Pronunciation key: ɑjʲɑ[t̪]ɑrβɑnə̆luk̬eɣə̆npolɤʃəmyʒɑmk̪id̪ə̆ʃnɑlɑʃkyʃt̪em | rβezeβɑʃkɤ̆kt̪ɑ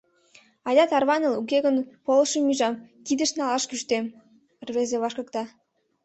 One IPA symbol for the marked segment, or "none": t̪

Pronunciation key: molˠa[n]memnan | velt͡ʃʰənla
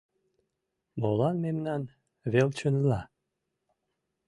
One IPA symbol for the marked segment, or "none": n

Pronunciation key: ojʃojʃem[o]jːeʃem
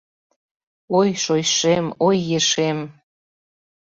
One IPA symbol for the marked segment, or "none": o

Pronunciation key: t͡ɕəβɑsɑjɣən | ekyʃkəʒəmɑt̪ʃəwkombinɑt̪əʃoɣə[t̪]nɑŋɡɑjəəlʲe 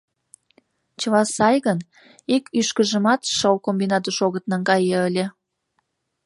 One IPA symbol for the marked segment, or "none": t̪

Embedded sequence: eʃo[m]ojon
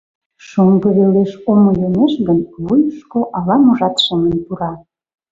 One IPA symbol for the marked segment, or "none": m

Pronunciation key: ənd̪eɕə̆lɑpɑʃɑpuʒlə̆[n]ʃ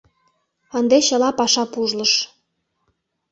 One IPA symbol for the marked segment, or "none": none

